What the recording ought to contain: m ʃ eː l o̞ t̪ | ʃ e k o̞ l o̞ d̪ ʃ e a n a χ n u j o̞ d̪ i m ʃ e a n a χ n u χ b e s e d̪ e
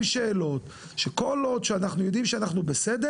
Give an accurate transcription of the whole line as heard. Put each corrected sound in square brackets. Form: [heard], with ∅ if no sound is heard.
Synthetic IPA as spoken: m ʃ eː l o̞ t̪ | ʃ e k o̞ l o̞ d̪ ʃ e a n a χ n u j o̞ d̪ i m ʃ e a n a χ n u [∅] b e s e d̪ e

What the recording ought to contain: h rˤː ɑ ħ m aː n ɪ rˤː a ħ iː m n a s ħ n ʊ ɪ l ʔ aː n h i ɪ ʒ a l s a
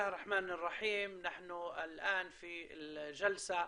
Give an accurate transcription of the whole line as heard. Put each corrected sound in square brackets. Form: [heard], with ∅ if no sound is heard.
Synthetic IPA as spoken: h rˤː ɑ ħ m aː n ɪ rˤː [ɑ] ħ iː m n a [∅] ħ n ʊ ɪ l ʔ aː n [f] i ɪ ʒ a l s a

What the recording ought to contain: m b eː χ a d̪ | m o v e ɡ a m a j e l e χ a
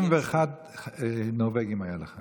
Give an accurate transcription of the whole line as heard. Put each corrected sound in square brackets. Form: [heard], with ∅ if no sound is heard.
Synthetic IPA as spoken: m [v] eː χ a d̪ | [n] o v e ɡ [i] m a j [a] l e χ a

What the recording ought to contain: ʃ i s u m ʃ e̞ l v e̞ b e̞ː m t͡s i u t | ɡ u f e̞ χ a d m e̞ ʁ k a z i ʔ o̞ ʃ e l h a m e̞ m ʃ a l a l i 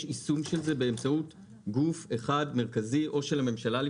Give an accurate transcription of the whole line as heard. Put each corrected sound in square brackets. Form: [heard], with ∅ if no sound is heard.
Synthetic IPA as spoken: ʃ i s u m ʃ e̞ l [z] e̞ b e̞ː m t͡s [a] u t | ɡ u f e̞ χ a d m e̞ ʁ k a z i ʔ o̞ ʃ e l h a m e̞ m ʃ a l a l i

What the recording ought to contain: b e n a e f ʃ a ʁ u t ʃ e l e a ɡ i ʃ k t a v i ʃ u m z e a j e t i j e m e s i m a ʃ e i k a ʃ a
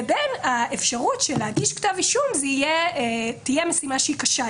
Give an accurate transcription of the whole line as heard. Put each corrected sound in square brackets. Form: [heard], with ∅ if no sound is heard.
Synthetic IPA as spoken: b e n a e f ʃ a ʁ u t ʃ e l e a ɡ i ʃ k t a v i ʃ u m z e [i] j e t i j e m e s i m a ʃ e i k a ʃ a

